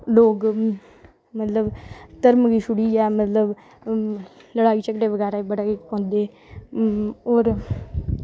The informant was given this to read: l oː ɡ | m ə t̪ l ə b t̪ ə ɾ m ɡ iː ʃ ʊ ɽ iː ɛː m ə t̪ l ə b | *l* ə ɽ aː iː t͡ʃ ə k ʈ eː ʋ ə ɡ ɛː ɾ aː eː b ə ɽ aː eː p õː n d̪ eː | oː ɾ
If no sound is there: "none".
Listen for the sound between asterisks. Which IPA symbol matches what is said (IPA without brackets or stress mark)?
l